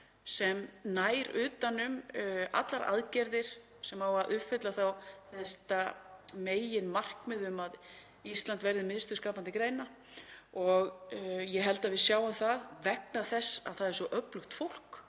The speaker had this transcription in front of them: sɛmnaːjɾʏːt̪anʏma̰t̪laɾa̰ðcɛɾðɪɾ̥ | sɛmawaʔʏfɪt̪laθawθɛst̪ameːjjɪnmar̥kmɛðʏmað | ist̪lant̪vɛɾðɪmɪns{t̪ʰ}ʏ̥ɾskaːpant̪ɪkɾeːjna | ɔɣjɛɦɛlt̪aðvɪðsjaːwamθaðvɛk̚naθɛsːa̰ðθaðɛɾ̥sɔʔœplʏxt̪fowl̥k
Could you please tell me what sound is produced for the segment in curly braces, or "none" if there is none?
t̪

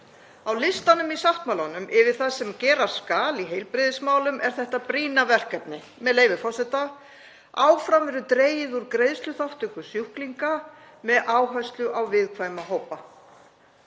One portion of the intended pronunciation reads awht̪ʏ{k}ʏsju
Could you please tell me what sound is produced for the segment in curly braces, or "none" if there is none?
k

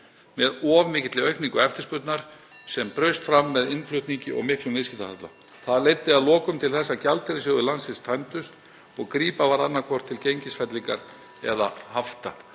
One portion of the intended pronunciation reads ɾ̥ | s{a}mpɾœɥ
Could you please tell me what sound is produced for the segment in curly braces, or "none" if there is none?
ɛ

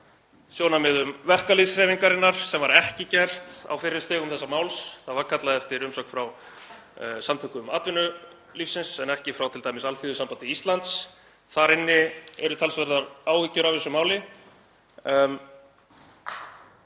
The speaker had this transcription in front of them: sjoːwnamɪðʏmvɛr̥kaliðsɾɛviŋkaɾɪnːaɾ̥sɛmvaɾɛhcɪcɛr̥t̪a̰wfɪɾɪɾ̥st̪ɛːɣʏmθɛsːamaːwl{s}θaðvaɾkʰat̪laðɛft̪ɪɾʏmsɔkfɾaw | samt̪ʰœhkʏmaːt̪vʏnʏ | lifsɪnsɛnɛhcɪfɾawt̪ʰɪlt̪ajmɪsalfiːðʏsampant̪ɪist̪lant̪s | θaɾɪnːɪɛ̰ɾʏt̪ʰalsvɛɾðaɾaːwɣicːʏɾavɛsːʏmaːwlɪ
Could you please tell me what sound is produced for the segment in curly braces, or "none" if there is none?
s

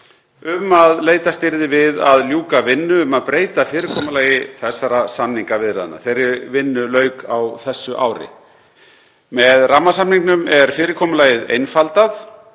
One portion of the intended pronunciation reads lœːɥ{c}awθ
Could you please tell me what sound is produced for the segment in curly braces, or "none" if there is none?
k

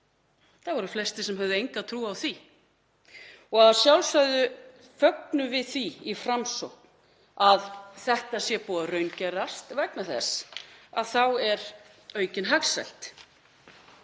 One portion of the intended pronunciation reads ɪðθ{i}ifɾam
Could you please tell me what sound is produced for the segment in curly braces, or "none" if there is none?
i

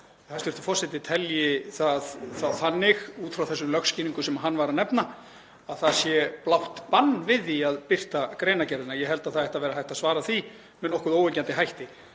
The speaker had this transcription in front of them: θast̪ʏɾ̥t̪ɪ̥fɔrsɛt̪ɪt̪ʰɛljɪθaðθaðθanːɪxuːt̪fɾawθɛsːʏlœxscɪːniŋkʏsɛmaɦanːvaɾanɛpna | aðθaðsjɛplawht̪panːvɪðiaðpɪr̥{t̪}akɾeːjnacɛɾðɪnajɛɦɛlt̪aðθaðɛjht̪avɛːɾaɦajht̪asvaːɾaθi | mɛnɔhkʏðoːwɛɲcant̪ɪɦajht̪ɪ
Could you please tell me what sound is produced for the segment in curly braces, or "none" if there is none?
t̪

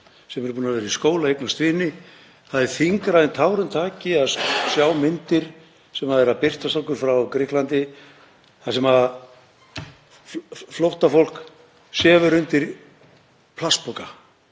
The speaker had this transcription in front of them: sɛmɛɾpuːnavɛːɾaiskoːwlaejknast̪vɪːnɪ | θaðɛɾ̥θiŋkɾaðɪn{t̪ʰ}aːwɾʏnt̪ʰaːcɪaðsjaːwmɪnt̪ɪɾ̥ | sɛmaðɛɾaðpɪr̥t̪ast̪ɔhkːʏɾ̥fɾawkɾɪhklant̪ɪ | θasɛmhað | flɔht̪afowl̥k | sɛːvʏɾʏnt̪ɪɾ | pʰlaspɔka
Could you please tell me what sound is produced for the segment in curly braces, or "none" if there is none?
t̪ʰ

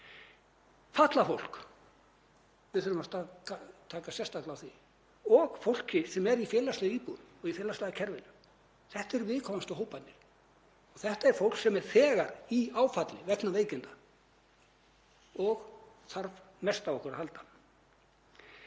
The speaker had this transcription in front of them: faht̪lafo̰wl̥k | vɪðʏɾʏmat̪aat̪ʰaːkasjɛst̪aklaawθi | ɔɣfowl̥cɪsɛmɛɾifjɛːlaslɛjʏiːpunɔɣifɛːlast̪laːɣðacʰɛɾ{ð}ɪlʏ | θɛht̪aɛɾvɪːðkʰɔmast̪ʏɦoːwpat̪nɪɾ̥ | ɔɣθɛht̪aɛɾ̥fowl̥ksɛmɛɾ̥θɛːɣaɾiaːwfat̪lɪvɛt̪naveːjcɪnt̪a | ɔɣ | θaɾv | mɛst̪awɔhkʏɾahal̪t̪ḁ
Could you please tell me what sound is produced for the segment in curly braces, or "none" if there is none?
v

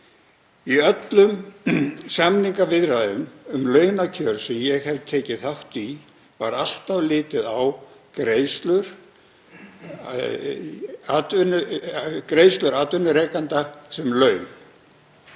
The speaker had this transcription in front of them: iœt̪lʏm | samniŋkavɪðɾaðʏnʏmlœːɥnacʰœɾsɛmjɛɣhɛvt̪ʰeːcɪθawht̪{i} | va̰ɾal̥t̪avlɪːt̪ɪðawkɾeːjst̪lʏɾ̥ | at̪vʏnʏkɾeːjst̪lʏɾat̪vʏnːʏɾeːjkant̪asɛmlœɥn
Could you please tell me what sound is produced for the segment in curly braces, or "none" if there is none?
i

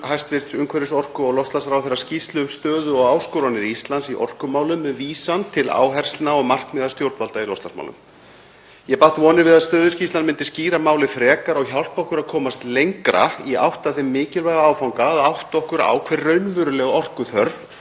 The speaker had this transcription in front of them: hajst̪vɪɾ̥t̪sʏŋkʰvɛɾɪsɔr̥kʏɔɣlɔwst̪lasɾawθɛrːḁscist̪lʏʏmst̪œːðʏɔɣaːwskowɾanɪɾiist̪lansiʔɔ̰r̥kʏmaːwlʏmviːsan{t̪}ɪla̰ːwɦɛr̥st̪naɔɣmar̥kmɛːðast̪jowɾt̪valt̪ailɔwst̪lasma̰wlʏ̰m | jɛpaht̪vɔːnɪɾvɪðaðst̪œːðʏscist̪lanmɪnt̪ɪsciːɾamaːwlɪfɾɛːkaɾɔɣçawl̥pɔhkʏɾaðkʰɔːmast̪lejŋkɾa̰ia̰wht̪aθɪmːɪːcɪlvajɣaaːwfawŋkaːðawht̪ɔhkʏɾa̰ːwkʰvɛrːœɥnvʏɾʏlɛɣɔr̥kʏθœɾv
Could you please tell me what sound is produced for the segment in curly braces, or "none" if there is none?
t̪ʰ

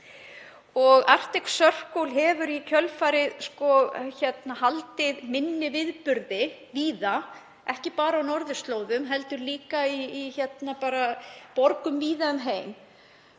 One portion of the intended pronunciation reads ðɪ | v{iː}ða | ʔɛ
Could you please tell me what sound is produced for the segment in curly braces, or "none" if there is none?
iː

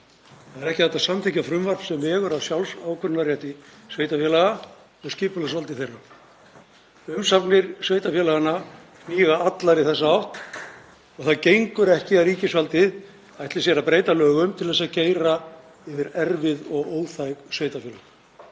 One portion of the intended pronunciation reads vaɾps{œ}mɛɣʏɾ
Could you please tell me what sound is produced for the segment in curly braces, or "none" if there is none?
ɛ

